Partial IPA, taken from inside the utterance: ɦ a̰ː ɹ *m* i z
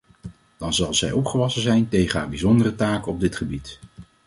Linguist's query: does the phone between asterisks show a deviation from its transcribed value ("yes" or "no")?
yes